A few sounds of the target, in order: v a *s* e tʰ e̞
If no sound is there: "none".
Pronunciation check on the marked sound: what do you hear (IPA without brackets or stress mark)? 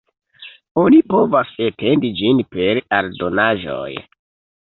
s